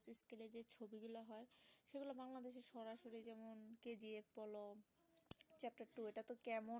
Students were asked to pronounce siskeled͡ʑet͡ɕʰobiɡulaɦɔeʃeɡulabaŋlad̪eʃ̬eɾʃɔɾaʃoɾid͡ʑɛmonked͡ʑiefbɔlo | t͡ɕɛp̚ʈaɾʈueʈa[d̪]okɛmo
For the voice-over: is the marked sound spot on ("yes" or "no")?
no